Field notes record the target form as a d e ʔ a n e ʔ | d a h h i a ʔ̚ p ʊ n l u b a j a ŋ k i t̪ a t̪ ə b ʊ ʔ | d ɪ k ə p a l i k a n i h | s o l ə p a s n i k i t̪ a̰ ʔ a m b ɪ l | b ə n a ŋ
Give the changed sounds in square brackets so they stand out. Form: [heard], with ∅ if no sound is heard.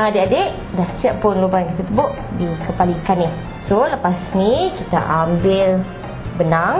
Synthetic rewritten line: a d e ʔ a [d] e ʔ | d a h [s] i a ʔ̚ p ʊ n l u b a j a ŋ k i t̪ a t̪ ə b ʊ ʔ | d [i] k ə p a l i k a n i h | s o l ə p a s n i k i t̪ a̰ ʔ a m b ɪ l | b ə n a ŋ